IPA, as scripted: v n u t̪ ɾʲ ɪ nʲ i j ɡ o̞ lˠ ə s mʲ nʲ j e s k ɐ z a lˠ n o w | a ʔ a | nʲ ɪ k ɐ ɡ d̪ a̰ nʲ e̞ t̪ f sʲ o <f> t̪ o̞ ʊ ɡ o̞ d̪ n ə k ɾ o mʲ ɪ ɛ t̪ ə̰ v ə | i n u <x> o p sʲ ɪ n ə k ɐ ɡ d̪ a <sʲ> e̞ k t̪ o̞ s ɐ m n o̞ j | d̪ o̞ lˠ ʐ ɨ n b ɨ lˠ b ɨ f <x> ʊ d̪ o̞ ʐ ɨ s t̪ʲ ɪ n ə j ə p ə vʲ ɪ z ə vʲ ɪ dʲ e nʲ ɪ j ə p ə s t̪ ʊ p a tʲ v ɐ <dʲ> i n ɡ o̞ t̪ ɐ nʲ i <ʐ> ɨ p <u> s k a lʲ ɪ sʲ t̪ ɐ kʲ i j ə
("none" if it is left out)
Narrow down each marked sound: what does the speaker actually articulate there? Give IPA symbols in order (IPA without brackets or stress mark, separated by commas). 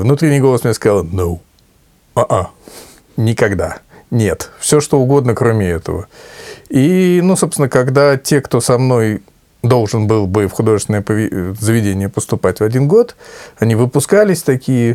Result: ʂ, s, tʲ, x, dʲ, v, ʊ